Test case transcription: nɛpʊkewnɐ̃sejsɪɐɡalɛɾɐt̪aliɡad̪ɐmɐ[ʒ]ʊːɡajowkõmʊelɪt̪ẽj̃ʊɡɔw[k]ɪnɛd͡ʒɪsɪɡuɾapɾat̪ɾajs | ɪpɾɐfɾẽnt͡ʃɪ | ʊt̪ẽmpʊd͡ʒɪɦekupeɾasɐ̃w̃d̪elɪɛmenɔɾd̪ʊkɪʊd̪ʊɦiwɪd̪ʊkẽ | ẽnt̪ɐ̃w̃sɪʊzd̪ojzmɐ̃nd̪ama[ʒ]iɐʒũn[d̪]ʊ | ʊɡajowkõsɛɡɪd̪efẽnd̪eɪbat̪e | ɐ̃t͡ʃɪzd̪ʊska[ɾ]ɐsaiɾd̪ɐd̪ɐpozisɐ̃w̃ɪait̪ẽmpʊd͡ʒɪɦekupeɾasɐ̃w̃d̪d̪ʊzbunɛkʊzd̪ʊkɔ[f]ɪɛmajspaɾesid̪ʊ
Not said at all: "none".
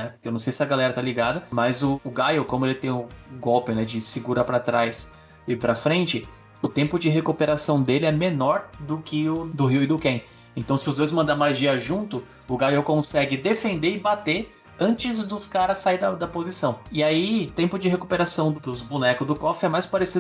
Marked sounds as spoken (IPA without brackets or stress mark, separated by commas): z, p, ʒ, t̪, ɾ, f